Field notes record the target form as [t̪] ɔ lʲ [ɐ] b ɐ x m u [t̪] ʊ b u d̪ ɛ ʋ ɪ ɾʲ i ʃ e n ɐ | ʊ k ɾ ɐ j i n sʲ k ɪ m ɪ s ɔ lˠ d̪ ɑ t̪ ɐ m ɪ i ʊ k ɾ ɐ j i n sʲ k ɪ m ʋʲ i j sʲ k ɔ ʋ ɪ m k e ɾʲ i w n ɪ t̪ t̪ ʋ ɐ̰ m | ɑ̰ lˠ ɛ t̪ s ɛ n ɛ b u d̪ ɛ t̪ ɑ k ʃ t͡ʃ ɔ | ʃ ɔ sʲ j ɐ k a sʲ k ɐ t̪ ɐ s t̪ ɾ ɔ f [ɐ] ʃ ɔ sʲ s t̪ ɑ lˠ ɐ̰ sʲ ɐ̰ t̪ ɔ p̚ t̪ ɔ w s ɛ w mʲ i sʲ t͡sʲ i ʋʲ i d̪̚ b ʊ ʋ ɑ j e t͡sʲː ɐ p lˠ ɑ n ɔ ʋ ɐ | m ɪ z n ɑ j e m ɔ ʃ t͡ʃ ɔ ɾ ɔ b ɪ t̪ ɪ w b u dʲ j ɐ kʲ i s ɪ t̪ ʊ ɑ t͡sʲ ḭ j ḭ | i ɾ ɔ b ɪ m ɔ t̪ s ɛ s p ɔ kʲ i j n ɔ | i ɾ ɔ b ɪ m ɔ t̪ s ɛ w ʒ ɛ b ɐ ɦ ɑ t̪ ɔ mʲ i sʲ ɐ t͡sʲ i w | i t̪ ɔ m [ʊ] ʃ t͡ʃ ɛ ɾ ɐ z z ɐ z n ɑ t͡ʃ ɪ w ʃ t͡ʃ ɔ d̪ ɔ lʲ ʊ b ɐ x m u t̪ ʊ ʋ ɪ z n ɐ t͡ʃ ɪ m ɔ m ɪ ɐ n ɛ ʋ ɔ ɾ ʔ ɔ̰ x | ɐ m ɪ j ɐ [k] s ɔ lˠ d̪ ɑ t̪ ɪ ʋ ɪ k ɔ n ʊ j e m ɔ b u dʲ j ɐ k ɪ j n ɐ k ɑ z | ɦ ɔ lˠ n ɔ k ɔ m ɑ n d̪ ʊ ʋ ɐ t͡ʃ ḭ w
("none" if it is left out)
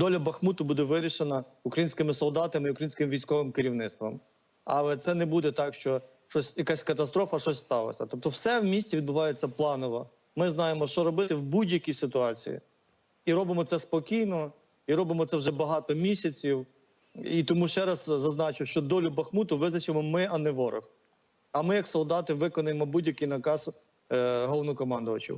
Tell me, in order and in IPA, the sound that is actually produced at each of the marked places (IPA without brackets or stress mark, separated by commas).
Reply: d̪, ɐ, t̪, ɐ, u, k